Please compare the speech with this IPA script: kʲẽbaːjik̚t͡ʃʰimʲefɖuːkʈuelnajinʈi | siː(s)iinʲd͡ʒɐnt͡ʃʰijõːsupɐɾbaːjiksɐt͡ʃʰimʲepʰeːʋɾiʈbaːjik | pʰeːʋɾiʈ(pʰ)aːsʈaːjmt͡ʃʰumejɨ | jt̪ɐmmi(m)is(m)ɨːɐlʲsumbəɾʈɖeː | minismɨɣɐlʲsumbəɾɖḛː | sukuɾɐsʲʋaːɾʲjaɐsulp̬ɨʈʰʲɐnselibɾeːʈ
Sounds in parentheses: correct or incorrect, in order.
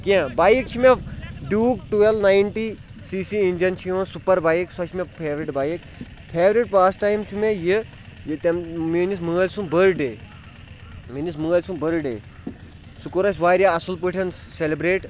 correct, incorrect: p, incorrect: n, correct

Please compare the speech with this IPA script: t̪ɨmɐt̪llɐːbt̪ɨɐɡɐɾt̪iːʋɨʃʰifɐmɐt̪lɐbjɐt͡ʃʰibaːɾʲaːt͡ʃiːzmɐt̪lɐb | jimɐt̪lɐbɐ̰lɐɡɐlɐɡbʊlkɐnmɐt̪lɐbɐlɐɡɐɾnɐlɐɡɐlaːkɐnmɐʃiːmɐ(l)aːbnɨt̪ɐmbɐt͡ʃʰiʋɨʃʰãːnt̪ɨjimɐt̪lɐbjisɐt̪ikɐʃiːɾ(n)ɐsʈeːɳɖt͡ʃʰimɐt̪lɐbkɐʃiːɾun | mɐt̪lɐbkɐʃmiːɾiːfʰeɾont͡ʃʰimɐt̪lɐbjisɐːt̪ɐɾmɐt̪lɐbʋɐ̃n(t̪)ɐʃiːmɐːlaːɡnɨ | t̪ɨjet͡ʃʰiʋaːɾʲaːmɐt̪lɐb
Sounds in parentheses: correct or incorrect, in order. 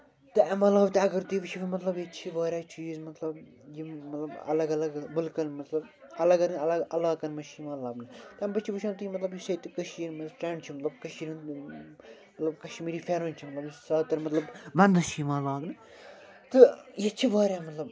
correct, incorrect: m, incorrect: d̪

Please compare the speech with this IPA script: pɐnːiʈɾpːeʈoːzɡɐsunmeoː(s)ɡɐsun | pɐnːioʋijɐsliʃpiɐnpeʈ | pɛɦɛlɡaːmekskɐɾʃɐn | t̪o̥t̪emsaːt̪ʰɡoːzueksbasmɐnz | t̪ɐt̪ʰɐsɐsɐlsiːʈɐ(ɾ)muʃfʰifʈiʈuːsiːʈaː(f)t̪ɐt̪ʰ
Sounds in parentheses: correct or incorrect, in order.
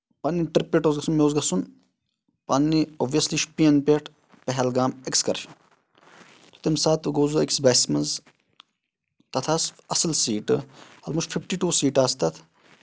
incorrect: z, incorrect: l, incorrect: s

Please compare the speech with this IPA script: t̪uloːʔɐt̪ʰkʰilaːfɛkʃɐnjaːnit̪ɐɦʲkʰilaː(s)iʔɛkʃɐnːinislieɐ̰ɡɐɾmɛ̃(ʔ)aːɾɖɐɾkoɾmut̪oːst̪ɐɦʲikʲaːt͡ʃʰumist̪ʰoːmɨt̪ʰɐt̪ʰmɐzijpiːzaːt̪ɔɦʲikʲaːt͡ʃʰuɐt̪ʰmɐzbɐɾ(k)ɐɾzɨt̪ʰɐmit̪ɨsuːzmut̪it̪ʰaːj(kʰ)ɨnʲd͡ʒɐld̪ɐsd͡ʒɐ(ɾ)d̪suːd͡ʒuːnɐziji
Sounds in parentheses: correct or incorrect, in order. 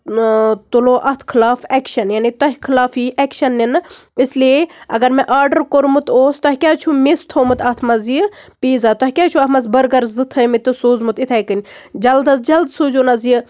incorrect: f, correct, incorrect: ɡ, incorrect: k, incorrect: l

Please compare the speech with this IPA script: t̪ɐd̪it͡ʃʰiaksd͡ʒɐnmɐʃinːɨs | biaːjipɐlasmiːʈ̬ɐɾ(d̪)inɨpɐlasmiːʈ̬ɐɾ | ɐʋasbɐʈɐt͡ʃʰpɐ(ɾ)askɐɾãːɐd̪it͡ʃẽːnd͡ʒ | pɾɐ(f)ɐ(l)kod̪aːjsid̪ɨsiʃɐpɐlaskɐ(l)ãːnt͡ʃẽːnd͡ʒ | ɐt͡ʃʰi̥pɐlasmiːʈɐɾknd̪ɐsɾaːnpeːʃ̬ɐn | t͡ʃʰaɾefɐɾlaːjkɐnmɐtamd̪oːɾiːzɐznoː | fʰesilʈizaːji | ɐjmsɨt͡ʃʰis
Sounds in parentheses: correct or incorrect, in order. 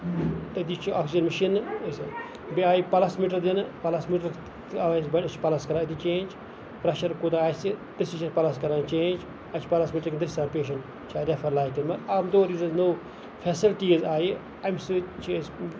correct, incorrect: l, incorrect: ʃ, incorrect: ɾ, incorrect: ɾ

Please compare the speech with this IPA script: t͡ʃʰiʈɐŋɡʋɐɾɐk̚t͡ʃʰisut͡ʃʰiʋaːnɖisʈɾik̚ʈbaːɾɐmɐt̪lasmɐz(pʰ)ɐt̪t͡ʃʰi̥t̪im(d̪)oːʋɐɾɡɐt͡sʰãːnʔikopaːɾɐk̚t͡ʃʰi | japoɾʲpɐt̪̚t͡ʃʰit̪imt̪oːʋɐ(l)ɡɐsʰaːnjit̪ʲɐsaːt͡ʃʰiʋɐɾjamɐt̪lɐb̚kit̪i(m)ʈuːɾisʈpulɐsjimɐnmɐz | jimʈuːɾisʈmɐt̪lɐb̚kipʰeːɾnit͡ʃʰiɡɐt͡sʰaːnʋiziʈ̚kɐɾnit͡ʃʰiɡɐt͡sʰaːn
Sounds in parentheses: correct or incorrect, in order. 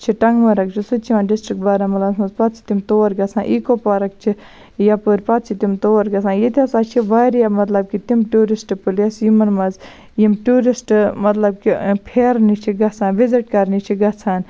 incorrect: p, incorrect: t̪, incorrect: ɾ, correct

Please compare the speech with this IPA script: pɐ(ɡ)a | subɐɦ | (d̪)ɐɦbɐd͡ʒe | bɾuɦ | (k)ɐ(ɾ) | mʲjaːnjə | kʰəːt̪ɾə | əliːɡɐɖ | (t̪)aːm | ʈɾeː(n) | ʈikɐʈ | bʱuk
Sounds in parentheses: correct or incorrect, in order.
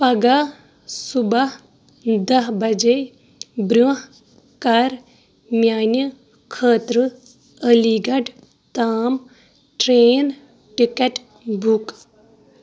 correct, correct, correct, correct, correct, correct

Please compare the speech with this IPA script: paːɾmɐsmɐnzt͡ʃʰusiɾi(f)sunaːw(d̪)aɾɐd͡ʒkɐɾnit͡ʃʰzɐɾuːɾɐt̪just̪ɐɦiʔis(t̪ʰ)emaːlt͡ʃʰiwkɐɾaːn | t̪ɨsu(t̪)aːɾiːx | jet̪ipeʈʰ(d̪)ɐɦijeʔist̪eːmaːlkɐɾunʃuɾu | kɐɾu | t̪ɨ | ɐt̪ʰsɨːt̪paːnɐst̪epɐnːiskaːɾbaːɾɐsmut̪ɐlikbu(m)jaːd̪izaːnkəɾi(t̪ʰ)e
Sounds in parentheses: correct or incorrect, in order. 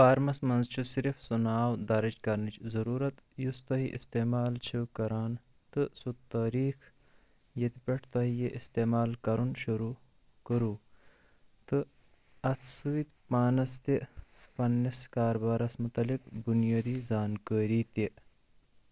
correct, correct, incorrect: t̪, correct, incorrect: t̪, incorrect: n, incorrect: t̪

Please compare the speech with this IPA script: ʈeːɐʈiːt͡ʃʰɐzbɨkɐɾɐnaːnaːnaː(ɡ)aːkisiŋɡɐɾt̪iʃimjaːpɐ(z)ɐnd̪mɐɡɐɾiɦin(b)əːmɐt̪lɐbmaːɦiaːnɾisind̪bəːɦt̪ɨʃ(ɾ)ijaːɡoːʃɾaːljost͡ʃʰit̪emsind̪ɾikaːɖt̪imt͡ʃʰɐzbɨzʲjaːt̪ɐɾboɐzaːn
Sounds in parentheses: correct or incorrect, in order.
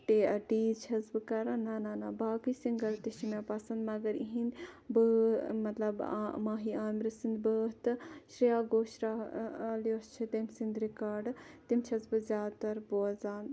incorrect: b, incorrect: s, correct, correct

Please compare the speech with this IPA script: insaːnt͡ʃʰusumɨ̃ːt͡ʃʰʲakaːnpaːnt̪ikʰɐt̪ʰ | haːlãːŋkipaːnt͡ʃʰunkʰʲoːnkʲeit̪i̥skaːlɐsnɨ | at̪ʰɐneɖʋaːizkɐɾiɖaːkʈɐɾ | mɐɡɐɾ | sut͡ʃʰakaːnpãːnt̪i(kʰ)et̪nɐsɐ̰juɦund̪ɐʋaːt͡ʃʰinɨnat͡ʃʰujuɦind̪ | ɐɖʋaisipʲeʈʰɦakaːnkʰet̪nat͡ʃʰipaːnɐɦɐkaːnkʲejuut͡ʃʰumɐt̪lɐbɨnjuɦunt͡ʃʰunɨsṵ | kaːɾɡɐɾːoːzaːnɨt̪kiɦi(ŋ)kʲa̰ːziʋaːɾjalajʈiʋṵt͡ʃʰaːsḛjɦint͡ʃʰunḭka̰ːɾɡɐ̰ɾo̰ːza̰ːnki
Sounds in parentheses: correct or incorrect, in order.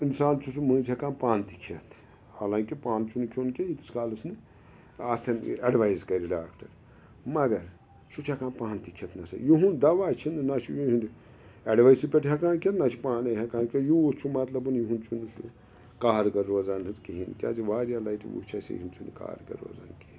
correct, incorrect: n

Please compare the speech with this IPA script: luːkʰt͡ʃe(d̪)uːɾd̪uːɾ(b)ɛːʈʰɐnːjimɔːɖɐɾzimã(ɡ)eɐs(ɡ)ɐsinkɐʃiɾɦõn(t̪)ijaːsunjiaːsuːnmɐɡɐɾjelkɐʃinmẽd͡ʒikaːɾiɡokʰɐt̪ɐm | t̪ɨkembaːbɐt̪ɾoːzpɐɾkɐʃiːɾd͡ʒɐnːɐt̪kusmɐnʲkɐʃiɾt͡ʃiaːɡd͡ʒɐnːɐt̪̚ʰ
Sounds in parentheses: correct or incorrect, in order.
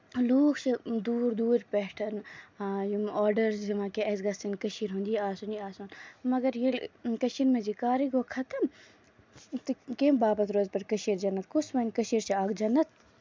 correct, incorrect: p, incorrect: k, correct, incorrect: d̪

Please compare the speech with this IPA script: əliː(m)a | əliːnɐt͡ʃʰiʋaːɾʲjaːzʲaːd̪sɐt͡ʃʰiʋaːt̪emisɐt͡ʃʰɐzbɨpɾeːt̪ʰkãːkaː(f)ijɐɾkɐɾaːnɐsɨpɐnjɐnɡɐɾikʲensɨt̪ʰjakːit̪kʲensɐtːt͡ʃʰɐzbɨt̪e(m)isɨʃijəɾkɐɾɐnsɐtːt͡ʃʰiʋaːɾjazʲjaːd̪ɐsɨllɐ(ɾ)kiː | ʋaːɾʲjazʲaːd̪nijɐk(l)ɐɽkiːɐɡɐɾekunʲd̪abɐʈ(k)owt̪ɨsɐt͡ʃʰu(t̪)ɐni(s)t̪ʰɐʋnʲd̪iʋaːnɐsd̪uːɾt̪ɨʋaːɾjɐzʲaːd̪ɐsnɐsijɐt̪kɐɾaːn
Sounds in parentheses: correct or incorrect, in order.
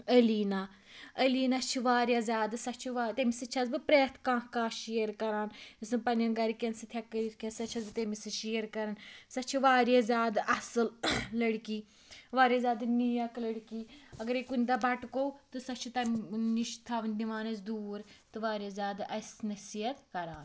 incorrect: n, incorrect: ʃ, correct, incorrect: ɽ, correct, correct, correct, incorrect: ʃ

